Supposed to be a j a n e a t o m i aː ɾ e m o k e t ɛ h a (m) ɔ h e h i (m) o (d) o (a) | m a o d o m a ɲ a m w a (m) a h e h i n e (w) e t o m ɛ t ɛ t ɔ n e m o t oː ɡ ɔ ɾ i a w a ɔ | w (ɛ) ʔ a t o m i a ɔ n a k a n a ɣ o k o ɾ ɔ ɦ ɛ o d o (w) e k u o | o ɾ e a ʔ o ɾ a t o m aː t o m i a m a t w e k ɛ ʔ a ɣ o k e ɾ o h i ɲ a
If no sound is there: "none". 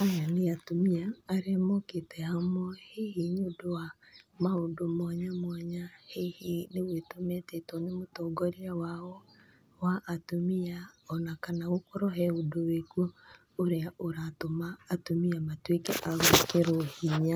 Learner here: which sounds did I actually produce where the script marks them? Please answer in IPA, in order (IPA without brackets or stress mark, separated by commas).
m, ɲ, d, a, ɲ, w, a, w